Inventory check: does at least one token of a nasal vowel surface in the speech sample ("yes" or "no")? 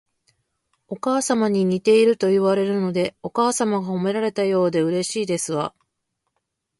no